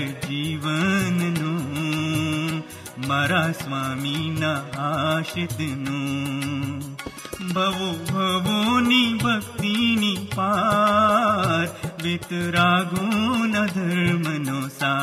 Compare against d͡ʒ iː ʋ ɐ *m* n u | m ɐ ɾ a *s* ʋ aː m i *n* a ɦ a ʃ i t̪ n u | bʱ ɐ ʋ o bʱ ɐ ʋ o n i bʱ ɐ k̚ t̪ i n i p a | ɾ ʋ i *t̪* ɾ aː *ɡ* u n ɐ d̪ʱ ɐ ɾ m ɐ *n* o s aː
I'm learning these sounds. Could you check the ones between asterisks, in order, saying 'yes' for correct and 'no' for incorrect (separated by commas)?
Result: no, yes, yes, yes, yes, yes